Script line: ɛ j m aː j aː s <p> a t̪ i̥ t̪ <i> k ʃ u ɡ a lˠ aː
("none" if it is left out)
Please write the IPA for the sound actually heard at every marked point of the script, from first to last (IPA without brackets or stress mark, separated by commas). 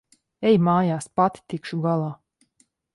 p, i